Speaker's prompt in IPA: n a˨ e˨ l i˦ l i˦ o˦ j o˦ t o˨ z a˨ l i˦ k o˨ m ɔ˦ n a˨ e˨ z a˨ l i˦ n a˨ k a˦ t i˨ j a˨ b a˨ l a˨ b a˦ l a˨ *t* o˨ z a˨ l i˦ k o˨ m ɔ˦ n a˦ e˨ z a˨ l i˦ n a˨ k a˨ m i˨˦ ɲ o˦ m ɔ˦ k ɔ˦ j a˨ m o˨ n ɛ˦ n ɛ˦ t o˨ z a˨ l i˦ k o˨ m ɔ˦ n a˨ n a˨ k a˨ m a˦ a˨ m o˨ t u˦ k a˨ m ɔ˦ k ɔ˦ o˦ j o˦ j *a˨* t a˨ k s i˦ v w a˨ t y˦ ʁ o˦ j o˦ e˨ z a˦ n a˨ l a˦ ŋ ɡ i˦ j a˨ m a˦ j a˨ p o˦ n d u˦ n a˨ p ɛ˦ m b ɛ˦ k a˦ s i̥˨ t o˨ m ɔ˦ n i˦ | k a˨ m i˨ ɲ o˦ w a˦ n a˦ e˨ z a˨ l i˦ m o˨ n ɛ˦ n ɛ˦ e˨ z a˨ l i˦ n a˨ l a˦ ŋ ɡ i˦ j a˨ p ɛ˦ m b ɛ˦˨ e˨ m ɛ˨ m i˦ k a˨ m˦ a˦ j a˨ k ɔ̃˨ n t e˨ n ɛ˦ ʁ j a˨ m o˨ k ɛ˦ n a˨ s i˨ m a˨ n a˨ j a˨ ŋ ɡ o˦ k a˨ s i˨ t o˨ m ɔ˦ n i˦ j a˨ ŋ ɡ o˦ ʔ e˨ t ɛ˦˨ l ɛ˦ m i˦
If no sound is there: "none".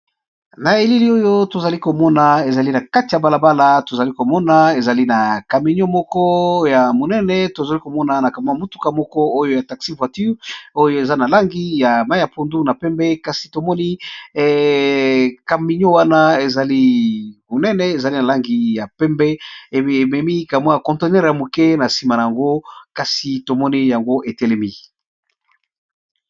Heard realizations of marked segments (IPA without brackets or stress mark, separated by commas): t, a˨